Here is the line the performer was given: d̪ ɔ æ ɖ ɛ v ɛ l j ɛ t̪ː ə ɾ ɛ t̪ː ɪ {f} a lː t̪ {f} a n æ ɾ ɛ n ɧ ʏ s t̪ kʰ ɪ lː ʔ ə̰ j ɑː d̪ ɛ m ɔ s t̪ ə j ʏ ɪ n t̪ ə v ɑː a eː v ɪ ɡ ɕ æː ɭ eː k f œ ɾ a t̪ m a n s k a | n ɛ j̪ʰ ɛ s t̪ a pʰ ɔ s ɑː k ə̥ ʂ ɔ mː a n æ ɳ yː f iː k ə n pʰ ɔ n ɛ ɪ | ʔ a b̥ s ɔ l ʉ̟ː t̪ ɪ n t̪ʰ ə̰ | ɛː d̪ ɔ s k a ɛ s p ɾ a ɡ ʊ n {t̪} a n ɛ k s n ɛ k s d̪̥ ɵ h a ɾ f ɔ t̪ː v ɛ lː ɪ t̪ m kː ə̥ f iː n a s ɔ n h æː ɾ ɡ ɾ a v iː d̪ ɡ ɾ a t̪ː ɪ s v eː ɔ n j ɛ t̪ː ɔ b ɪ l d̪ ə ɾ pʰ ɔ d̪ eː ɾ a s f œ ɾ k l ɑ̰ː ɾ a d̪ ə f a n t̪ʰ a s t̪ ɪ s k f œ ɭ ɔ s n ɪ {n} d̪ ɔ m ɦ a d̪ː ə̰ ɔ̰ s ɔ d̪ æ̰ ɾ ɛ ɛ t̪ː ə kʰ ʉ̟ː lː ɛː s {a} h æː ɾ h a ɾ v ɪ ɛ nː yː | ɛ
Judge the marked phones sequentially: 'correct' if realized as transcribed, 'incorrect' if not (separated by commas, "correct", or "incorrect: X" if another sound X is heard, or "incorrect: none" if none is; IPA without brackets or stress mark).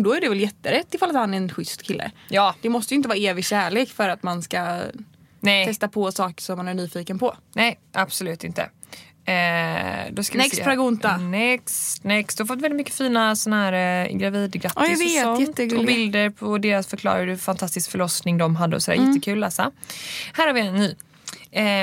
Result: correct, incorrect: h, correct, incorrect: ŋ, correct